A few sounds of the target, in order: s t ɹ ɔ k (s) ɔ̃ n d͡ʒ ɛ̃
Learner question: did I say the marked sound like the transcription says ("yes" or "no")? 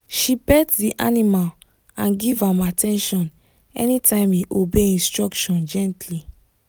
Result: no